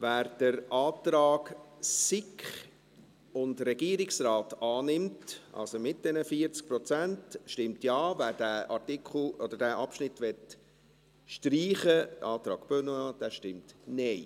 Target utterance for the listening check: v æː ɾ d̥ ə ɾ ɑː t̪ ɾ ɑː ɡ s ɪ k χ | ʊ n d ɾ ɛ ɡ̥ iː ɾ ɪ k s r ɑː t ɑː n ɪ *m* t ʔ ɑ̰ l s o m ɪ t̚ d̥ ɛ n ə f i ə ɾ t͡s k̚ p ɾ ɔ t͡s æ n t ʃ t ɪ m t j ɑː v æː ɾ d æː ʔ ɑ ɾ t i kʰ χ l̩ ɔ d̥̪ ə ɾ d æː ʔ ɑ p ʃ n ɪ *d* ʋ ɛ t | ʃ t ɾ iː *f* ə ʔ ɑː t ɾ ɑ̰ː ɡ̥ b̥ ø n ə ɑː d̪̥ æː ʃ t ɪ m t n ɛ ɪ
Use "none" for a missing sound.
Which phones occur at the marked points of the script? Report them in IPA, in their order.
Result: m, t, χ

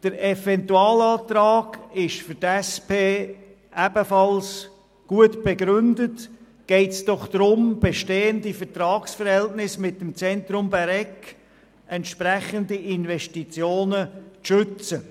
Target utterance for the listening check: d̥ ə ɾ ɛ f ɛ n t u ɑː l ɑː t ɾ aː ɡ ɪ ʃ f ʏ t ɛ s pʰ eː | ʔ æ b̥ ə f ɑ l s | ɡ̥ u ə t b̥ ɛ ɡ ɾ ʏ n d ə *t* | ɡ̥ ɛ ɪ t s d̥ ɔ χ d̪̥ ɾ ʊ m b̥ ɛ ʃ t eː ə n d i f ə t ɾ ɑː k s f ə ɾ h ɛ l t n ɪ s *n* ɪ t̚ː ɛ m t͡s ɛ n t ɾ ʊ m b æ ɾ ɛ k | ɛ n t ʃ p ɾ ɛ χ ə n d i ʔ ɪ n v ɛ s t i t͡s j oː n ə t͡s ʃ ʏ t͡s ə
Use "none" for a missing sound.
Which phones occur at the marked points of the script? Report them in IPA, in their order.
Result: t, m

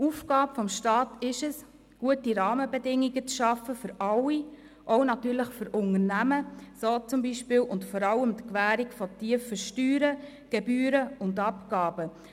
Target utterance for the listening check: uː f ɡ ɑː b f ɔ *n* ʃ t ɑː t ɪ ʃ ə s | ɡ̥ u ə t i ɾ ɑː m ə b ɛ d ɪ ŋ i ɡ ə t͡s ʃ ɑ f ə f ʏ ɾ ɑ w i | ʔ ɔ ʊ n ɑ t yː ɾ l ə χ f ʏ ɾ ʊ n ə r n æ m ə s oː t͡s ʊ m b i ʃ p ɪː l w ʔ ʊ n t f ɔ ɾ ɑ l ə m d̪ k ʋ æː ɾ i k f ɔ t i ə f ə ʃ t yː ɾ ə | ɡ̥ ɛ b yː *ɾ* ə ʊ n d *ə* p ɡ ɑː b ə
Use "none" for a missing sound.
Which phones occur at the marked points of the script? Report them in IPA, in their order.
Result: m, ɾ, ɑ

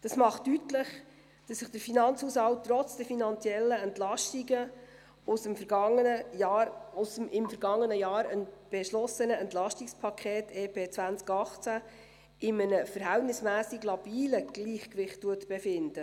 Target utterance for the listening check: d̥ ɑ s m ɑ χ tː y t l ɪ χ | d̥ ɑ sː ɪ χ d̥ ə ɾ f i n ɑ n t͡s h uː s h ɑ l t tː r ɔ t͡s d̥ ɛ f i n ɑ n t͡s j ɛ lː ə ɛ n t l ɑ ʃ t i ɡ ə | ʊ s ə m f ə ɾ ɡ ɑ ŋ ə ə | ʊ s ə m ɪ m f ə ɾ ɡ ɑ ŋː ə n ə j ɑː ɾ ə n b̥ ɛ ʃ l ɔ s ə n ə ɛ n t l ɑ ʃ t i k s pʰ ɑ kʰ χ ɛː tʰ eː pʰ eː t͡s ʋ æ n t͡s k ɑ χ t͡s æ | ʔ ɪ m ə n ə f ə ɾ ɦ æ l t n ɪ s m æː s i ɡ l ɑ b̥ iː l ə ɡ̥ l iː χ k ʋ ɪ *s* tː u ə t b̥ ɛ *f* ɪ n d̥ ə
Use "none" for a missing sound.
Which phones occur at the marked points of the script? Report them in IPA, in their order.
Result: χ, f

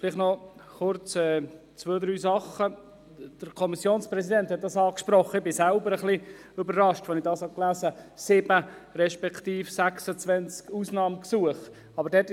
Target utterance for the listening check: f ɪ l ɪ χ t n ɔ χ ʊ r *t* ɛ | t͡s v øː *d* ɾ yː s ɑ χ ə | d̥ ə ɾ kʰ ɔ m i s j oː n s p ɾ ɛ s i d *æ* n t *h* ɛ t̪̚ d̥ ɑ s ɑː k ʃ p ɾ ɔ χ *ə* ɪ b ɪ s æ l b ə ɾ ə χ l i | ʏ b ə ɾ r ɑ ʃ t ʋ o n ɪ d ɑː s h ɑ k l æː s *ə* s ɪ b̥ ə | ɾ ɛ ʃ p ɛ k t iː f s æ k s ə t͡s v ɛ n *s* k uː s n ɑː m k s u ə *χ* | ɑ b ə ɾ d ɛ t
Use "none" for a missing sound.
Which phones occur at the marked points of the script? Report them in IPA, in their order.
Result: t͡s, d, ɛ, h, ə, ə, t͡s, χ

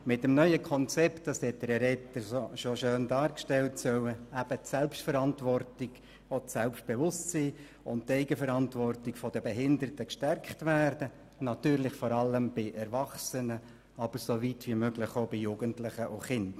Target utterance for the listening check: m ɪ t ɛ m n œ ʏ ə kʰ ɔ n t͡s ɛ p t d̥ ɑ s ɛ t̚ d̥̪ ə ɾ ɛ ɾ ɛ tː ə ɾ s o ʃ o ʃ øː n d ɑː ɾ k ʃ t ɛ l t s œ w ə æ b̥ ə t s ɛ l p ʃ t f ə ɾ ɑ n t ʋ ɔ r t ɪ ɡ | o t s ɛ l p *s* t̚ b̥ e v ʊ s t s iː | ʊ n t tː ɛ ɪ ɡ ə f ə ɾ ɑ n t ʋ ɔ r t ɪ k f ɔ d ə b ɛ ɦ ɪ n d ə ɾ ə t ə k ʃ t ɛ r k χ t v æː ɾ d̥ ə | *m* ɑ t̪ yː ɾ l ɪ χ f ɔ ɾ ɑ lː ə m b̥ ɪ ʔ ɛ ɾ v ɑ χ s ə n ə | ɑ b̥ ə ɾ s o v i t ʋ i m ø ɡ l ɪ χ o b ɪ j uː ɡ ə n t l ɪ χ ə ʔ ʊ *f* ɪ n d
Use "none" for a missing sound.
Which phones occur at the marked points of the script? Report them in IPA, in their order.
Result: ʃ, n, χ

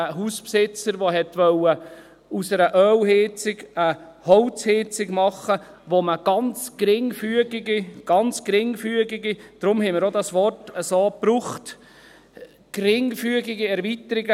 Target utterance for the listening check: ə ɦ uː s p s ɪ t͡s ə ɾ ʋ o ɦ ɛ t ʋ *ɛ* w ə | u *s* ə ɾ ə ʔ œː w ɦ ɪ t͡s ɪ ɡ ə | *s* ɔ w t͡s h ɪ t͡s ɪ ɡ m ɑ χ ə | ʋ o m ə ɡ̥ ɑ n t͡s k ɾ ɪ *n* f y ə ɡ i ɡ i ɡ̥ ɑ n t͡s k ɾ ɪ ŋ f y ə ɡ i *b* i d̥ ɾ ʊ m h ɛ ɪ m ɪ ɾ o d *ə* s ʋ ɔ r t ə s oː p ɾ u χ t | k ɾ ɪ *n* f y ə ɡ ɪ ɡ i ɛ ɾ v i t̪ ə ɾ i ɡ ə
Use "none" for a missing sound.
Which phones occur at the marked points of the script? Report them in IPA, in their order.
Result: œ, s, h, ŋ, ɡ, ɑ, ŋ

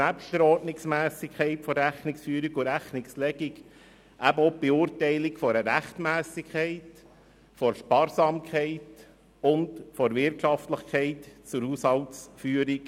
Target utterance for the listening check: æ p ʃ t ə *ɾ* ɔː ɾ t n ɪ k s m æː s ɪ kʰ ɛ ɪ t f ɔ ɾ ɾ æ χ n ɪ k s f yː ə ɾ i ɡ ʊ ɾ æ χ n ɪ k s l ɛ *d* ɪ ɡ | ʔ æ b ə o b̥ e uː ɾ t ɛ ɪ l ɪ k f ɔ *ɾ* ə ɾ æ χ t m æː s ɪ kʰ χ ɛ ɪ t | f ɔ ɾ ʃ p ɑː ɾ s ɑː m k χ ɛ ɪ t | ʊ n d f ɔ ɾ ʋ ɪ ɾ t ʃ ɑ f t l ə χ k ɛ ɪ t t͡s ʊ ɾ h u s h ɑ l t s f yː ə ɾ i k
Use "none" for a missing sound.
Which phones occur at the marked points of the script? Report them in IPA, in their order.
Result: ɾ, ɡ, ɾ

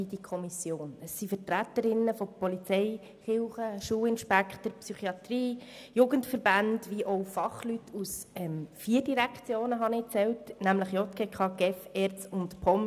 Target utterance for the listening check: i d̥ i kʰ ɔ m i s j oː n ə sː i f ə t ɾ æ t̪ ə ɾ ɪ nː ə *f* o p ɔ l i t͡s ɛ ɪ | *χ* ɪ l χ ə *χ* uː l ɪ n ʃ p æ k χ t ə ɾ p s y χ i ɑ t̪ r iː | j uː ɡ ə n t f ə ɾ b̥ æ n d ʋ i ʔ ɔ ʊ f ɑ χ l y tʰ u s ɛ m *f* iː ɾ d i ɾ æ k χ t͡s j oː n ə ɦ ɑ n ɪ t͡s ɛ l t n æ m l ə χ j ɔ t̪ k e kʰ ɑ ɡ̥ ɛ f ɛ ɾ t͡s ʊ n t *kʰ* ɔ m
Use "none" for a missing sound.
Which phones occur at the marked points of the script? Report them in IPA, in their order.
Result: f, χ, ʃ, f, pʰ

